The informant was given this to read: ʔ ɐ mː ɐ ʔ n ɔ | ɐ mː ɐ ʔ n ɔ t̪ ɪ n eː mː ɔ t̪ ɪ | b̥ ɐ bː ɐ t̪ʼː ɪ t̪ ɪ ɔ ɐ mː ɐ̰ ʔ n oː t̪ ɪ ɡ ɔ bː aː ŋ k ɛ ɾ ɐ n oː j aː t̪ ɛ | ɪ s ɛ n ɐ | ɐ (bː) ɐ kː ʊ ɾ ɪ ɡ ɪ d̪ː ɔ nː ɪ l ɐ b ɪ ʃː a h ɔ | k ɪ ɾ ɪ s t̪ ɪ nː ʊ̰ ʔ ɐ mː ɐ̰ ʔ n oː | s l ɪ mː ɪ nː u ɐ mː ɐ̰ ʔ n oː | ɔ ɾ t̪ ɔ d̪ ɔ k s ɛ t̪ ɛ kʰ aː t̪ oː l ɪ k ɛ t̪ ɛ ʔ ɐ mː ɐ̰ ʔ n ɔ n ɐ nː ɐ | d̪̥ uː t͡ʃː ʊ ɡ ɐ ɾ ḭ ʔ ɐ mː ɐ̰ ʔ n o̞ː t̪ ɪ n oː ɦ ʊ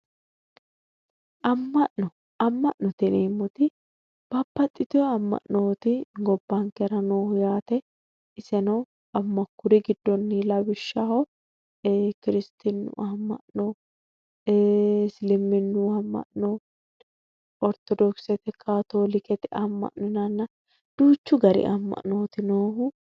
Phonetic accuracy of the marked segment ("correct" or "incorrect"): incorrect